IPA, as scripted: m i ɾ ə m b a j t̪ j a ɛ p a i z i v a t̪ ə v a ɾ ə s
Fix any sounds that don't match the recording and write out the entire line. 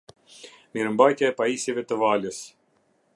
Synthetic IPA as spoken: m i ɾ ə m b a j t̪ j a ɛ p a i s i v ɛ t̪ ə v a l ə s